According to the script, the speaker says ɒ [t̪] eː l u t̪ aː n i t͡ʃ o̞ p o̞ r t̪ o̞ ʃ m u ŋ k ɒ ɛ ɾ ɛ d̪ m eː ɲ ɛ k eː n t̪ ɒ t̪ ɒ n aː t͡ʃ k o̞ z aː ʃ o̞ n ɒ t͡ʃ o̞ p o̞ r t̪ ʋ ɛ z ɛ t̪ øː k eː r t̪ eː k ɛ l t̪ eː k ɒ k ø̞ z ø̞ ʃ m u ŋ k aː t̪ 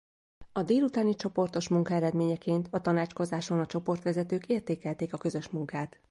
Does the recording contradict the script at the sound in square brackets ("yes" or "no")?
yes